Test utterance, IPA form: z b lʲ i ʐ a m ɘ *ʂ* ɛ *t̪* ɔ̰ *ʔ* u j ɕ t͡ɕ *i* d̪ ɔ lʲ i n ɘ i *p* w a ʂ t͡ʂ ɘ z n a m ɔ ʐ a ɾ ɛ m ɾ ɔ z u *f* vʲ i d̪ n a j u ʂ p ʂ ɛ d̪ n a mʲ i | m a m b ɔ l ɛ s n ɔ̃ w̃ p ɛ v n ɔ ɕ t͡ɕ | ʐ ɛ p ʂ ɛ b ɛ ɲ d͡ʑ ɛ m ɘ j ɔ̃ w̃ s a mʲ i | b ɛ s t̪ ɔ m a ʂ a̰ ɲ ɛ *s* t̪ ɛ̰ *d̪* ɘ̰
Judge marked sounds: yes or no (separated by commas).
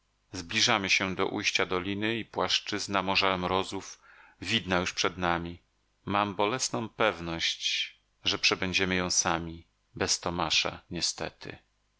no, no, yes, no, yes, yes, yes, no